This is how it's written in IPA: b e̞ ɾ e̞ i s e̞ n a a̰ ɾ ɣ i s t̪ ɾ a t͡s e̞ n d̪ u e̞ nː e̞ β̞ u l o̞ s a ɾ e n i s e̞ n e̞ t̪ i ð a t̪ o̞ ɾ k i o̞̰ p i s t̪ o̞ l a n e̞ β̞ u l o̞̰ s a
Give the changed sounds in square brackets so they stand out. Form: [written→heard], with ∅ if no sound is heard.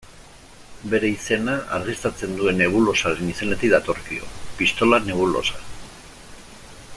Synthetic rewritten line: b e̞ ɾ e̞ i s e̞ n a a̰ ɾ ɣ i s t̪ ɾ a t͡s e̞ n d̪ u e̞ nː e̞ β̞ u l o̞ s a ɾ e n i s e̞ n e̞ t̪ i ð a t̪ o̞ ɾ k i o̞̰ p i s t̪ o̞ l a n e̞ β̞ u l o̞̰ s a